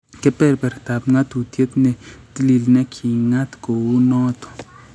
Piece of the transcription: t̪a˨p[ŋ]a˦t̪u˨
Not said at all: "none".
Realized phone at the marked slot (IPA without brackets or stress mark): ŋ